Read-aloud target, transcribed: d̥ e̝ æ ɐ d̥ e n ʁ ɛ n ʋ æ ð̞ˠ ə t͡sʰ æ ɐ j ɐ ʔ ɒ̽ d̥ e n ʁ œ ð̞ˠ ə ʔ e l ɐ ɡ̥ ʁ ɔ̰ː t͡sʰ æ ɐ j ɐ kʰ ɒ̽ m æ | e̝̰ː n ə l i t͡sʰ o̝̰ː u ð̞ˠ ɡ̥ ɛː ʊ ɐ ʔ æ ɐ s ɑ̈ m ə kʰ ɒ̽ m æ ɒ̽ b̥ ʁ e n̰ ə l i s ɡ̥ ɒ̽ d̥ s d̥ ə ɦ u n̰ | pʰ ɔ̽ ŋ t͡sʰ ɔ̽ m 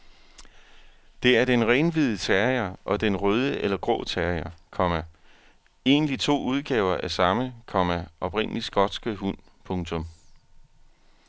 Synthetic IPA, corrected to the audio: d̥ e̝ æ ɐ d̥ e n ʁ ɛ n ʋ i ð̞ˠ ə t͡sʰ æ ɐ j ɐ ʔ ɒ̽ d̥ e n ʁ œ ð̞ˠ ə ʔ e l ɐ ɡ̥ ʁ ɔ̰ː t͡sʰ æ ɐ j ɐ kʰ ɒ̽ m æ | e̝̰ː n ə l i t͡sʰ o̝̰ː u ð̞ˠ ɡ̥ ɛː ʊ ɐ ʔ æ ɐ s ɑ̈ m ə kʰ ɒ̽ m æ ɒ̽ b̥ ʁ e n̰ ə l i s ɡ̥ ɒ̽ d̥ s ɡ̥ ə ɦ u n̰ | pʰ ɔ̽ ŋ t͡sʰ ɔ̽ m